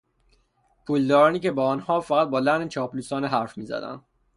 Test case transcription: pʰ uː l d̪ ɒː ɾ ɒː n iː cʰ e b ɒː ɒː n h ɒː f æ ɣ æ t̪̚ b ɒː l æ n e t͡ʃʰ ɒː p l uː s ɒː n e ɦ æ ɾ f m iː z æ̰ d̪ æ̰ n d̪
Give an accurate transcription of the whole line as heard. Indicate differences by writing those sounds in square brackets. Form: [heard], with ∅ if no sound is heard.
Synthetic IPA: pʰ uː l d̪ ɒː ɾ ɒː n iː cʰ e b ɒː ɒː n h ɒː f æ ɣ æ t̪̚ b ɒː l æ n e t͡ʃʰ ɒː p l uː s ɒː n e ɦ æ ɾ f m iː z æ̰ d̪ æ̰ n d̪